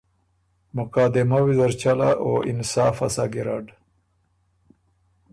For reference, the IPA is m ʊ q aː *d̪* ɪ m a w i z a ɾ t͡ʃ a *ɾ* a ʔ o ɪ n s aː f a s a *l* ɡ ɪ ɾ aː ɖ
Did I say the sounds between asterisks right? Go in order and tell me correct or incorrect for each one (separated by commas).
correct, incorrect, incorrect